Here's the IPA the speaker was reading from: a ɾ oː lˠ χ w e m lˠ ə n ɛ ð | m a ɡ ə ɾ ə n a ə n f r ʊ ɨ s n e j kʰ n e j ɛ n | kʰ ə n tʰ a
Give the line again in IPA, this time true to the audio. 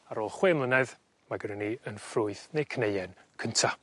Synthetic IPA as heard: a ɾ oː lˠ χ w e m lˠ ə n ɛ ð | m a ɡ ə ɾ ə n i ə n f r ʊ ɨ θ n e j kʰ n e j ɛ n | kʰ ə n tʰ a